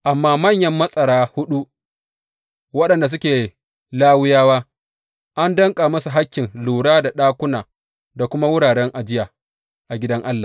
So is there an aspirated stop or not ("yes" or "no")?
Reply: no